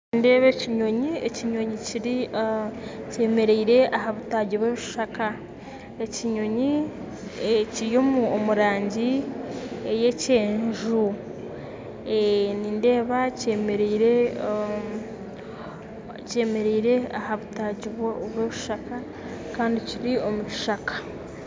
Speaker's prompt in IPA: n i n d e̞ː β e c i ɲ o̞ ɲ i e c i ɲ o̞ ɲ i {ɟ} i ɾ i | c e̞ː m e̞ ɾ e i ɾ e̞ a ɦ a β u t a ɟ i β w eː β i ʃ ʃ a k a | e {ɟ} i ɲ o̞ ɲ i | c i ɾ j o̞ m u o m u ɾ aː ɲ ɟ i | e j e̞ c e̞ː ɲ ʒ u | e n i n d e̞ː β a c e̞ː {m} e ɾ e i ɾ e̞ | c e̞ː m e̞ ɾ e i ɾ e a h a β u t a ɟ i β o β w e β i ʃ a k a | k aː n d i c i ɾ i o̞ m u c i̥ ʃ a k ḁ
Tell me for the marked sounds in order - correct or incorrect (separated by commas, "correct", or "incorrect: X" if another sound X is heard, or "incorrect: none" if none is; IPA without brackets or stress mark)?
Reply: incorrect: c, incorrect: c, correct